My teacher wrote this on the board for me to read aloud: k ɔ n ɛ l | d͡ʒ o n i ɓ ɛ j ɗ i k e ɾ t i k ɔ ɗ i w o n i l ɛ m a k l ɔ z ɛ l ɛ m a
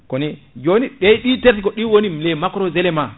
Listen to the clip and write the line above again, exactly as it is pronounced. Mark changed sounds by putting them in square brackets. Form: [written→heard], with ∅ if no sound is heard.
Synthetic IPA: k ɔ n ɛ [l→∅] | d͡ʒ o n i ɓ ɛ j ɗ i [k→t] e ɾ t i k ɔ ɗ i w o n i l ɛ m a k [l→ɾ] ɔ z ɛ l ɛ m a